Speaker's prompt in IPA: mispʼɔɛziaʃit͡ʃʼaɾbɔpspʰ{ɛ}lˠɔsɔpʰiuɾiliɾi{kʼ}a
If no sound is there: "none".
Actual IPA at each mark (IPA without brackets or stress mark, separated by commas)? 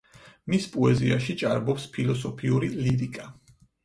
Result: i, kʼ